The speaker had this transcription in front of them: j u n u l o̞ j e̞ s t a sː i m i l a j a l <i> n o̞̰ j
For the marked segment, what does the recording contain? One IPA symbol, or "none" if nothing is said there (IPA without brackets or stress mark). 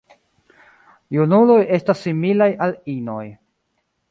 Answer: i